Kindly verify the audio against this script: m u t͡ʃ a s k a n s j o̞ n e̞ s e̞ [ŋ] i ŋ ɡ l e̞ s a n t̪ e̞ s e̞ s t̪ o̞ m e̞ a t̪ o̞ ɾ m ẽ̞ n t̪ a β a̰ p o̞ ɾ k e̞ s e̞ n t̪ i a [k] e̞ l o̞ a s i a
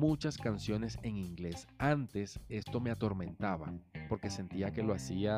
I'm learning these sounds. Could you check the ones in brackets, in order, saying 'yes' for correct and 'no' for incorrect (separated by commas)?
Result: yes, yes